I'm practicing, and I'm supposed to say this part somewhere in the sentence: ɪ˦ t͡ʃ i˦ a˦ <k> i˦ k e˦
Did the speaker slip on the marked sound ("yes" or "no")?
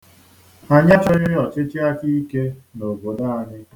no